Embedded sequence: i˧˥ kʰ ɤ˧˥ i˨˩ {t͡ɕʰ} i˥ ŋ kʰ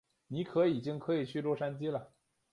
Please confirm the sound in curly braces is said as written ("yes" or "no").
no